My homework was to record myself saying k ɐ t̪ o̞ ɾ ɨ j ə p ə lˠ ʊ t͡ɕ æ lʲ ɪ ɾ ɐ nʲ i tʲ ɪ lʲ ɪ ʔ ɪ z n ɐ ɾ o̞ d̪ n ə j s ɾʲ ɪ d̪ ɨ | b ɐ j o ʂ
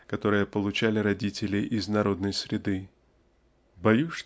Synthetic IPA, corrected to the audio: k ɐ t̪ o̞ ɾ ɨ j ə p ə lˠ ʊ t͡ɕ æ lʲ ɪ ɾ ɐ dʲ i tʲ ɪ lʲ ɪ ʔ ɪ z n ɐ ɾ o̞ d̪ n ə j s ɾʲ ɪ d̪ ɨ | b ɐ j u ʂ

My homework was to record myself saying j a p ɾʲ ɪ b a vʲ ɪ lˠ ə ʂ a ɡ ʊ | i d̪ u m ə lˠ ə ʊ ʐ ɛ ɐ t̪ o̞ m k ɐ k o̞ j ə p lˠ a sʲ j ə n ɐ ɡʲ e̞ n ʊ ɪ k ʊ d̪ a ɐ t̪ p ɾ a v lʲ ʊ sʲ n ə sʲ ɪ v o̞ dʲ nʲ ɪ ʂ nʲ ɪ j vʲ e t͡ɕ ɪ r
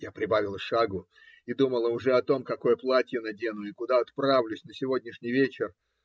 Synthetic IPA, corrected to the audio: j a p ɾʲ ɪ b a vʲ ɪ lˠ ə ʂ a ɡ ʊ | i d̪ u m ə lˠ ə ʊ ʐ ɛ ɐ t̪ o̞ m k ɐ k o̞ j ə p lˠ a tʲ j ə n ɐ dʲ e̞ n ʊ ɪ k ʊ d̪ a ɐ t̪ p ɾ a v lʲ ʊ sʲ n ə sʲ ɪ v o̞ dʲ nʲ ɪ ʂ nʲ ɪ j vʲ e t͡ɕ ɪ r

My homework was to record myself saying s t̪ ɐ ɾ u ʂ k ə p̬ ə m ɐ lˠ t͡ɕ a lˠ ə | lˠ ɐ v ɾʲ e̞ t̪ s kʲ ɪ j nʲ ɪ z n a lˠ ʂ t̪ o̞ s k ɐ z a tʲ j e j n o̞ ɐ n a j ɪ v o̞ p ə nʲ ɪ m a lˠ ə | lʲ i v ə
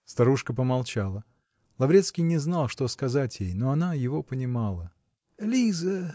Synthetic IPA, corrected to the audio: s t̪ ɐ ɾ u ʂ k ə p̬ ə m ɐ lˠ t͡ɕ a lˠ ə | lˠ ɐ v ɾʲ e̞ t̪ s kʲ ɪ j nʲ ɪ z n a lˠ ʂ t̪ o̞ s k ɐ z a tʲ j e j n o̞ ɐ n a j ɪ v o̞ p ə nʲ ɪ m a lˠ ə | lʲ i z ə

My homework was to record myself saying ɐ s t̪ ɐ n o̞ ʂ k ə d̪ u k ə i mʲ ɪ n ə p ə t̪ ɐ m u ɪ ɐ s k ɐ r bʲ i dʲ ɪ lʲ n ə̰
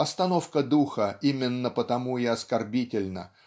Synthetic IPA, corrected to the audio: ɐ s t̪ ɐ n o̞ f k ə d̪ u x ə i mʲ ɪ nː ə p ə t̪ ɐ m u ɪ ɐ s k ɐ r bʲ i tʲ ɪ lʲ n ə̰

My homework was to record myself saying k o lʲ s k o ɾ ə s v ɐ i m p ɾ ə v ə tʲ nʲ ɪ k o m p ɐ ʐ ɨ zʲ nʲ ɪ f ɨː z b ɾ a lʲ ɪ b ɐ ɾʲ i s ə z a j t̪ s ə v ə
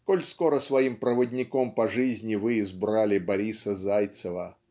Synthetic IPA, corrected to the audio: k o lʲ s k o ɾ ə s v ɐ i m p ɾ ə v ə dʲ nʲ ɪ k o m p ɐ ʐ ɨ zʲ nʲ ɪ v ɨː z b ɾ a lʲ ɪ b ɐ ɾʲ i s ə z a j t̪ s ə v ə

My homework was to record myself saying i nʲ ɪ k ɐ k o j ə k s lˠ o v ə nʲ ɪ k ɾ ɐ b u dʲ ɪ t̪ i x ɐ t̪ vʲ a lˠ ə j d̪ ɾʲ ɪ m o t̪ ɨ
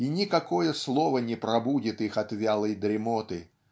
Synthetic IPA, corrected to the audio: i nʲ ɪ k ɐ k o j ə s lˠ o v ə nʲ ɪ p ɾ ɐ b u dʲ ɪ t̪ i x ɐ t̪ vʲ a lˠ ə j d̪ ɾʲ ɪ m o t̪ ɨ

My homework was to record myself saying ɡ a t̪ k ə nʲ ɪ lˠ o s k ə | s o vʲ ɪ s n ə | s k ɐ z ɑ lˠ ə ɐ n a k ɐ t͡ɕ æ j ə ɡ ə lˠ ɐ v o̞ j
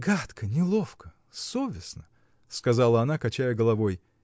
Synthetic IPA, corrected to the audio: ɡ a t̪ k ə nʲ ɪ lˠ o f k ə | s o vʲ ɪ s n ə | s k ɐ z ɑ lˠ ə ɐ n a k ɐ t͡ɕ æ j ə ɡ ə lˠ ɐ v o̞ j

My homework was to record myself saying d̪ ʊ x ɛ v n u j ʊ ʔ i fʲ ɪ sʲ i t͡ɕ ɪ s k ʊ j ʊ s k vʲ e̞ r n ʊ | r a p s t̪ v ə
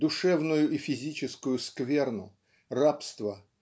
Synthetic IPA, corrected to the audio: d̪ ʊ ʂ ɛ v n ʊ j ʊ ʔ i fʲ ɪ zʲ i t͡ɕ ɪ s k ʊ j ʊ s k vʲ e̞ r n ʊ | r a p s t̪ v ə

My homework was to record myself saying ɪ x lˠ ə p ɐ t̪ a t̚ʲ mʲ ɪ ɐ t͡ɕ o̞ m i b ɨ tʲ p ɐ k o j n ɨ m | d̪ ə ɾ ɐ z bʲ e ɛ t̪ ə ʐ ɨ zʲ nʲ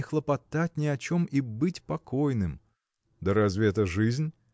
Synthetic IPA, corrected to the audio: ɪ x lˠ ə p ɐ t̪ a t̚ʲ nʲ ɪ ɐ t͡ɕ o̞ m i b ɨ tʲ p ɐ k o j n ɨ m | d̪ ə ɾ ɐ z vʲ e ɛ t̪ ə ʐ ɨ zʲ nʲ

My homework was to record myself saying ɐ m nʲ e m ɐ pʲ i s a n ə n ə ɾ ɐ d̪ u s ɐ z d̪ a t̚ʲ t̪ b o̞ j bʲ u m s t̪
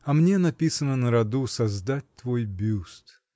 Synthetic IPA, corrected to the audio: ɐ m nʲ e n ɐ pʲ i s ə n ə n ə ɾ ɐ d̪ u s ɐ z d̪ a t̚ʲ t̪ v o̞ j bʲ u s t̪

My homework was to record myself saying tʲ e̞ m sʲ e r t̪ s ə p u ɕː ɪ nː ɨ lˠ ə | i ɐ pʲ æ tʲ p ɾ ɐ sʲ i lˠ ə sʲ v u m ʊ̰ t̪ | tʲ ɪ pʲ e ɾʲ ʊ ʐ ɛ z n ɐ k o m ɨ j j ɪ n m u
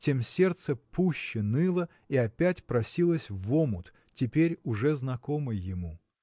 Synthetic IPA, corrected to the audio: tʲ e̞ m sʲ e r t̪ s ə p u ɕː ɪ n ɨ lˠ ə | i ɐ pʲ æ tʲ p ɾ ɐ sʲ i lˠ ə sʲ v o m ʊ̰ t̪ | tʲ ɪ pʲ e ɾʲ ʊ ʐ ɛ z n ɐ k o m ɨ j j ɪ m u

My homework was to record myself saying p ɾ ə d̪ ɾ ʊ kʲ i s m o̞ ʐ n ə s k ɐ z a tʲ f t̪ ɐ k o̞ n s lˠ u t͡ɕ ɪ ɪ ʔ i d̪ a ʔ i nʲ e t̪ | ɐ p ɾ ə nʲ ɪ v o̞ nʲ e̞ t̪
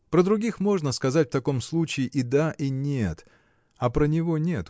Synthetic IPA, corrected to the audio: p ɾ ə d̪ ɾ ʊ ɡʲ i x m o̞ ʐ n ə s k ɐ z a tʲ f t̪ ɐ k o̞ m s lˠ u t͡ɕ ɪ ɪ ʔ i d̪ a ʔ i nʲ e t̪ | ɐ p ɾ ə nʲ ɪ v o̞ nʲ e̞ t̪

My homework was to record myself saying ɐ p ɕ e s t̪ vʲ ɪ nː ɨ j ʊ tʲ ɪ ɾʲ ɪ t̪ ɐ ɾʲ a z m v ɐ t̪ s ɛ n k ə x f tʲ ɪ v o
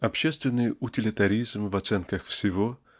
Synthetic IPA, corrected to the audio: ɐ p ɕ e s t̪ vʲ ɪ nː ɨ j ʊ tʲ ɪ lʲ ɪ t̪ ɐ ɾʲ i z m v ɐ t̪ s ɛ n k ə x f sʲ ɪ v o

